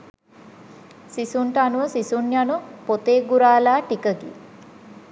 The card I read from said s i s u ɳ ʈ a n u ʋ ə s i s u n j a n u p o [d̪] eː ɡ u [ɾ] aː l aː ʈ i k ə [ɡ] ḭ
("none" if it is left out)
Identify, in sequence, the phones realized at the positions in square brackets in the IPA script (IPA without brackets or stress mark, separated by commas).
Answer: t̪, ɾ, ɡ